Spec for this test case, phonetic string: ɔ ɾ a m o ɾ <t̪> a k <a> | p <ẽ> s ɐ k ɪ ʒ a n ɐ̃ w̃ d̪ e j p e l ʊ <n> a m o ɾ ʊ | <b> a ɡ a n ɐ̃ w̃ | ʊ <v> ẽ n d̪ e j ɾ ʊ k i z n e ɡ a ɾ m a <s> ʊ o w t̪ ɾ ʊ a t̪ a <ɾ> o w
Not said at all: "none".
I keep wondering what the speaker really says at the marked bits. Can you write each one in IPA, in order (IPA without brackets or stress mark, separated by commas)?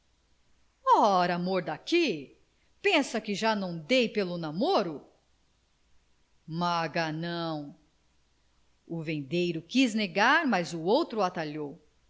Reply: d̪, i, ẽ, n, m, v, z, ʎ